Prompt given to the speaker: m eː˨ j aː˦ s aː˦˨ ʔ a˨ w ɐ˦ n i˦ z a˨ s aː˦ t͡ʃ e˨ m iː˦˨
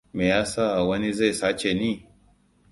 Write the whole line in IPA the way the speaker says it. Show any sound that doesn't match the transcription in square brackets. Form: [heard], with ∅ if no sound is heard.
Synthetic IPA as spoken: m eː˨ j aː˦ s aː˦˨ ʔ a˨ w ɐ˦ n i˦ z [a˦˨] s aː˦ t͡ʃ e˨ [n] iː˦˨